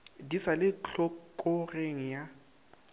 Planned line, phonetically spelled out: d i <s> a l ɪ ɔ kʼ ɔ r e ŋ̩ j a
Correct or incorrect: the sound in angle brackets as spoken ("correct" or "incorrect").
correct